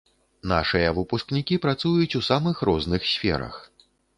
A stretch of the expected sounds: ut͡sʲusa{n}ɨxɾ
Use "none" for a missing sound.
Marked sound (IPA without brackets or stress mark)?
m